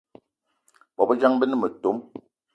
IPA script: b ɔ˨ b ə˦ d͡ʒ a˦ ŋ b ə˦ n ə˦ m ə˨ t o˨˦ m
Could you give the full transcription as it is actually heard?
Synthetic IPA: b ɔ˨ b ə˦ d͡ʒ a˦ ŋ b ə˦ n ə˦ m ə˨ t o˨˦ m